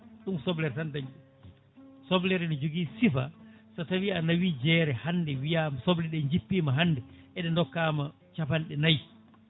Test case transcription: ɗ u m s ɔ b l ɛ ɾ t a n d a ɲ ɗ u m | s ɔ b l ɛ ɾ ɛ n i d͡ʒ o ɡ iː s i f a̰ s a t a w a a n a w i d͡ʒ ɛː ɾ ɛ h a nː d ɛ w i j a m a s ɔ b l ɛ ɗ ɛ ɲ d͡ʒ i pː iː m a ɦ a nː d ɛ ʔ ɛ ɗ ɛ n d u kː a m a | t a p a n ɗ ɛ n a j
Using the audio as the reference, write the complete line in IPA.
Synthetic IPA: ɗ u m s ɔ b l ɛ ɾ t a n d a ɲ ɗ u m | s ɔ b l ɛ ɾ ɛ n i d͡ʒ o ɡ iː s i f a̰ s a t a w i a n a w i d͡ʒ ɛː ɾ ɛ h a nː d ɛ w i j a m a s ɔ b l ɛ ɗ ɛ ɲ d͡ʒ i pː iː m a ɦ a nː d ɛ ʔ ɛ ɗ ɛ n d ɔ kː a m a | t͡ʃ a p a n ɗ ɛ n a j